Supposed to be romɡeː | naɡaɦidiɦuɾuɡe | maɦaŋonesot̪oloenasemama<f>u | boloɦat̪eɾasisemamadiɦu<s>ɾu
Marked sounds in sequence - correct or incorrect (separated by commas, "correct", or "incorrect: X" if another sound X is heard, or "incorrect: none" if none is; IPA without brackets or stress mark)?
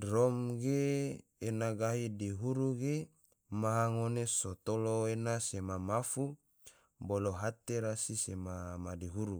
correct, incorrect: none